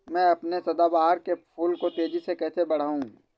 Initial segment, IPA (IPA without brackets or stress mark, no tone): m